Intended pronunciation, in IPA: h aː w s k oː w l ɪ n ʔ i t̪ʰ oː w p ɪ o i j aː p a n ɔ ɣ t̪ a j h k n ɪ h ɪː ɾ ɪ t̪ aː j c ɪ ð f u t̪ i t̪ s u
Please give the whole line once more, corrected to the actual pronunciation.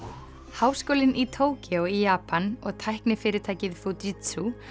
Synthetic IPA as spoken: h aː w s k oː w l ɪ n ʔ i t̪ʰ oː w c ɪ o i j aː p a n ɔ ɣ t̪ʰ a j h k n ɪ f ɪː ɾ ɪ t̪ʰ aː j c ɪ ð f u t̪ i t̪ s u